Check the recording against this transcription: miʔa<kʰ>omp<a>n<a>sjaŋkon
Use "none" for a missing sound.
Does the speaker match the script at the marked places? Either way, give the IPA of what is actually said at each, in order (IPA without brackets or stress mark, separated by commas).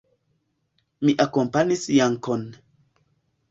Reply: k, a, i